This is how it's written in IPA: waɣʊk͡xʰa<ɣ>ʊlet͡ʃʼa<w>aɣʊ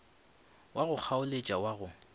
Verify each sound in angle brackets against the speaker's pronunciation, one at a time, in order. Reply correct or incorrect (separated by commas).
incorrect, correct